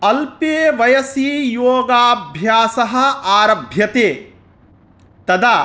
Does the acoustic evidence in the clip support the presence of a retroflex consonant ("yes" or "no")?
no